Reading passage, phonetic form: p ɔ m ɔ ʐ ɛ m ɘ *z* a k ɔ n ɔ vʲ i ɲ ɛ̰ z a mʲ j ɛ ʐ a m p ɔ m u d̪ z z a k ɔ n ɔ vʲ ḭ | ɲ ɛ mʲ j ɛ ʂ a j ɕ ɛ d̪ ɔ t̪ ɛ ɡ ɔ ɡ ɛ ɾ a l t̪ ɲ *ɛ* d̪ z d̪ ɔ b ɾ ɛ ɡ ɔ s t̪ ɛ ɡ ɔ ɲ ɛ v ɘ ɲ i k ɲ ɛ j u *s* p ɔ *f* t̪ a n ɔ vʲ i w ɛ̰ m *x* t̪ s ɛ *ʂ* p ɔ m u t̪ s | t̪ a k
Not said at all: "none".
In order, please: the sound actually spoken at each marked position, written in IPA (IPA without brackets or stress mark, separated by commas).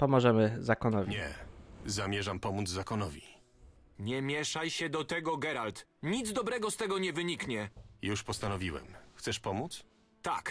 z, i, ʂ, s, x, ʂ